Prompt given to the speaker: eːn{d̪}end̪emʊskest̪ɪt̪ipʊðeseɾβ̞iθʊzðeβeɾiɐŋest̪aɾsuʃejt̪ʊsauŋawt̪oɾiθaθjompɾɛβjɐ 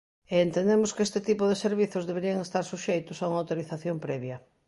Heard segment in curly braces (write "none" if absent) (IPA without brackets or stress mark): t̪